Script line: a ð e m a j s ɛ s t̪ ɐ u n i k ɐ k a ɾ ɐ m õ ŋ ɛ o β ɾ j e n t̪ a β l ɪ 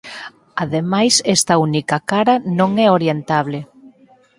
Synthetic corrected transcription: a ð e m a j s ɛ s t̪ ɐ u n i k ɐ k a ɾ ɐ n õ ŋ ɛ o ɾ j e n t̪ a β l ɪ